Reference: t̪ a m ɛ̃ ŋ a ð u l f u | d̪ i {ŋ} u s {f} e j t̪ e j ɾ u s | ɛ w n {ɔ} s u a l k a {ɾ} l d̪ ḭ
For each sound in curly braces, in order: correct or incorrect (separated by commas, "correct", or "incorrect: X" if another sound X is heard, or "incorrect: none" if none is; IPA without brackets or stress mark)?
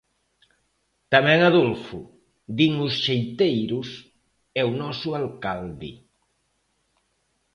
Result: correct, incorrect: ʃ, correct, incorrect: none